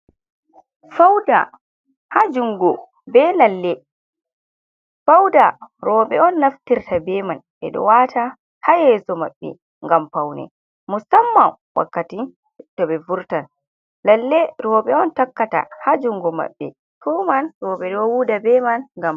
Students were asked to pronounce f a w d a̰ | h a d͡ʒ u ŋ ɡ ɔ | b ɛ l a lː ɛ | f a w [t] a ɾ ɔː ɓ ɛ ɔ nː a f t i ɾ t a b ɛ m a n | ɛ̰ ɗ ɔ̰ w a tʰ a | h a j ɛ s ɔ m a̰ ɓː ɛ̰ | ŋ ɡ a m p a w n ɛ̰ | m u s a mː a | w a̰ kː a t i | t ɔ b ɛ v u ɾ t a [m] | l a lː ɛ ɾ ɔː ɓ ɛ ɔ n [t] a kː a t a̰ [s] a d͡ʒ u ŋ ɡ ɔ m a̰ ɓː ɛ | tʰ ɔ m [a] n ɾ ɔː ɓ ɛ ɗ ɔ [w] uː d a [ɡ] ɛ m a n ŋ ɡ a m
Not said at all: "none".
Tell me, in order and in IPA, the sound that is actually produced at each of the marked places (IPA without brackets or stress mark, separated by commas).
d, n, t, h, a, w, b